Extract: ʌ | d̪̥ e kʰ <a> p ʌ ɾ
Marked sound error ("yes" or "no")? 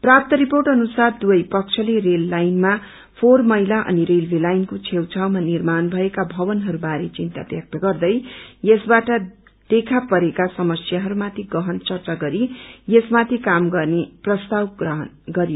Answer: no